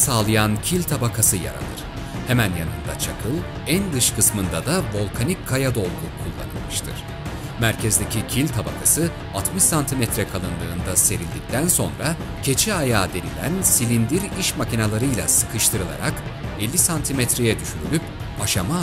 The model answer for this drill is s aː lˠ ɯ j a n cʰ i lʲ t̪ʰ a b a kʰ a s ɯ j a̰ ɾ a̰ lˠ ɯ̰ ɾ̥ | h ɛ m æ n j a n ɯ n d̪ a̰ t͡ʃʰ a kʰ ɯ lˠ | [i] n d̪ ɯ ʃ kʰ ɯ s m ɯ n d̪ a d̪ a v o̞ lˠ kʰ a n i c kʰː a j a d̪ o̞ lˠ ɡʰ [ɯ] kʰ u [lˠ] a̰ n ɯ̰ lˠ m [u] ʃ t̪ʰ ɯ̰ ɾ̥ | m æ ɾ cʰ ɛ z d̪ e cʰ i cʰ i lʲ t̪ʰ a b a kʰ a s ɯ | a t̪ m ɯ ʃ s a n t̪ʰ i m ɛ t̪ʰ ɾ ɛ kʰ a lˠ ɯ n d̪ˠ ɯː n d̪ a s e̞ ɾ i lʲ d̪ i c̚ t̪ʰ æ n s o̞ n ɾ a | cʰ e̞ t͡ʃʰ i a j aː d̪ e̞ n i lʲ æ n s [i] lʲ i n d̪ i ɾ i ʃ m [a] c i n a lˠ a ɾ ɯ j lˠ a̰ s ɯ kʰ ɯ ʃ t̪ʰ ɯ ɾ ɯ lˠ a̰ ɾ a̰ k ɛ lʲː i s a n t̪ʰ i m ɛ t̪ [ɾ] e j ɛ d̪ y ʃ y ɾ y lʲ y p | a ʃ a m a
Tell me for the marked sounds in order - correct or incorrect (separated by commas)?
incorrect, incorrect, incorrect, incorrect, correct, correct, correct